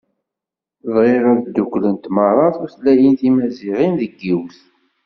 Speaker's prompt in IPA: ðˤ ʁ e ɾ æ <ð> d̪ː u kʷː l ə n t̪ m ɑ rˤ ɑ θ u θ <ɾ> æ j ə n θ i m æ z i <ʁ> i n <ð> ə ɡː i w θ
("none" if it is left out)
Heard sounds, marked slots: ð, l, ʁ, ð

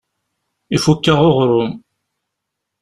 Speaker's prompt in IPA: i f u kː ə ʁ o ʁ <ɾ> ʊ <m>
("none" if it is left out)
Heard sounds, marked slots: ɾ, m

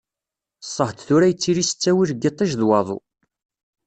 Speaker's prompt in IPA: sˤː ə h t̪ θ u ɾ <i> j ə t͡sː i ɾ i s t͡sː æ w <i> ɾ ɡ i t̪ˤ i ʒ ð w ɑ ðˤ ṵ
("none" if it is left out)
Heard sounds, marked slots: æ, i

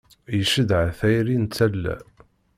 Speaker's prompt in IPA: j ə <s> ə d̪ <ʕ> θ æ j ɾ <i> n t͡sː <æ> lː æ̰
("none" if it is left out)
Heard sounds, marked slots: ʃ, ʕ, i, æ

